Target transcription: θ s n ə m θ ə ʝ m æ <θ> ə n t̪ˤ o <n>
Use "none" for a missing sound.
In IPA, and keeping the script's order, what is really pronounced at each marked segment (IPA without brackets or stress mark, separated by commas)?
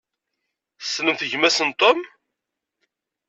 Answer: s, m